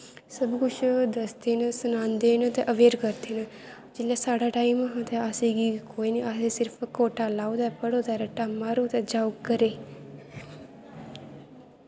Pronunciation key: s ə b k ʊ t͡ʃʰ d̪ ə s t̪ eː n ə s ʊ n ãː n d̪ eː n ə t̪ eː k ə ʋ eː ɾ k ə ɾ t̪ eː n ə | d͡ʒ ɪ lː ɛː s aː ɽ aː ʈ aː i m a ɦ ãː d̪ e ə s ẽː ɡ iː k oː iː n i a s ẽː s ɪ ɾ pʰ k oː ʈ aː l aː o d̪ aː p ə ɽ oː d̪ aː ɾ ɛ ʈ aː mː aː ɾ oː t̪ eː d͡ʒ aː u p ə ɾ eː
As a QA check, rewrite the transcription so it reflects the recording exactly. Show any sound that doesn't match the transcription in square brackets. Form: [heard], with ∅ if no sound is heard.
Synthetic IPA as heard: s ə b k ʊ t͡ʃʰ d̪ ə s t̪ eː n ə s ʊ n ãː n d̪ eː n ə t̪ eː [ʔ] ə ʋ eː ɾ k ə ɾ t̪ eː n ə | d͡ʒ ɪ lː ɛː s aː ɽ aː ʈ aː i m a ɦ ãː [t̪] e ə s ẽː ɡ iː k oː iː n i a s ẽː s ɪ ɾ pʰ k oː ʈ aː l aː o d̪ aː p ə ɽ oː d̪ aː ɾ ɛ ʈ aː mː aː ɾ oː t̪ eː d͡ʒ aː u [k] ə ɾ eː